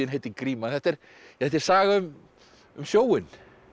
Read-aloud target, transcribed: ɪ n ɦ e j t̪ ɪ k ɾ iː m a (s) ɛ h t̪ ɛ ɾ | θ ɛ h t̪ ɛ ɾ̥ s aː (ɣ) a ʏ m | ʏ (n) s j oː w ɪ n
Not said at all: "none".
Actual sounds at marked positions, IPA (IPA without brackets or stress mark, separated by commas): θ, ɣ, m